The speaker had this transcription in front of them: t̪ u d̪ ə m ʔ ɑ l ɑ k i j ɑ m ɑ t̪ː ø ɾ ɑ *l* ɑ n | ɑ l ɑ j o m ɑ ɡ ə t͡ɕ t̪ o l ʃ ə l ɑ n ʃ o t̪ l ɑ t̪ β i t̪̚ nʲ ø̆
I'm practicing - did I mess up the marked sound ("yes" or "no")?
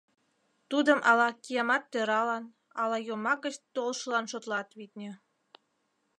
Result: no